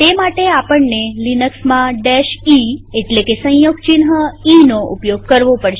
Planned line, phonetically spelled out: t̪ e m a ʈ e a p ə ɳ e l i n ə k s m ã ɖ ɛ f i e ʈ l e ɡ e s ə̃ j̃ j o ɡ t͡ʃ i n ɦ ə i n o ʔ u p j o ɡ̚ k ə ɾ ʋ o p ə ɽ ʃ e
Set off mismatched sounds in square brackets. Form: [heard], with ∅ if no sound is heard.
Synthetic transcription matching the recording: t̪ e m a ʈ e a p ə [ɳː] e l i n ə k s m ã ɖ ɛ [ʃ] i e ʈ l e [k] e s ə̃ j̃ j o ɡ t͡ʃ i n ɦ ə i n o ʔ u p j o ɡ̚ k ə ɾ ʋ o p ə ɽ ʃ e